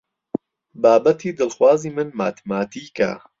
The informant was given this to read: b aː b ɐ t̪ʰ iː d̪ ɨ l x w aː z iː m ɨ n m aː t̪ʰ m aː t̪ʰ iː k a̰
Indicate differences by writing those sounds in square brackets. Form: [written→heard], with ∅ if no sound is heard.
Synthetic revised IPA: b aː b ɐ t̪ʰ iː d̪ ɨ l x w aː z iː m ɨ n m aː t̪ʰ m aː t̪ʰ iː k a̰